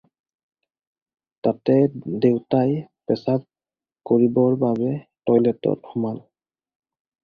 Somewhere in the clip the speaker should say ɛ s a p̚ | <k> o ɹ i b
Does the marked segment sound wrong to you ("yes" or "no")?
no